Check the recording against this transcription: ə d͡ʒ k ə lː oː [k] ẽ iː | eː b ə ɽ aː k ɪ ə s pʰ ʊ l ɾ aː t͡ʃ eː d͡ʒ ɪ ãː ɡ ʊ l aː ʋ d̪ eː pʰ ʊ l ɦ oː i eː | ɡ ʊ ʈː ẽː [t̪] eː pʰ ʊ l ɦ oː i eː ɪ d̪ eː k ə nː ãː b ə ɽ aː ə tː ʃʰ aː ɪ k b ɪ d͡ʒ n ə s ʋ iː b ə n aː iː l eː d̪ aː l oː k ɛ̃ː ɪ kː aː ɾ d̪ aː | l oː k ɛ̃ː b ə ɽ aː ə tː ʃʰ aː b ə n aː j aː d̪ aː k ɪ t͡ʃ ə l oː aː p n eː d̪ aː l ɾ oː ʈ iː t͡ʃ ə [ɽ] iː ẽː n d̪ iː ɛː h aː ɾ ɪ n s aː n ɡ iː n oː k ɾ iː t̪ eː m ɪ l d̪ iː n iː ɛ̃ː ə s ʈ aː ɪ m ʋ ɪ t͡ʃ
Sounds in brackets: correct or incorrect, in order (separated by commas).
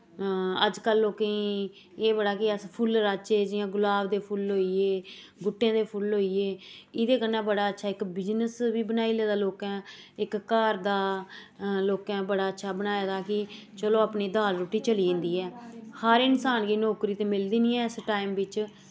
correct, incorrect, incorrect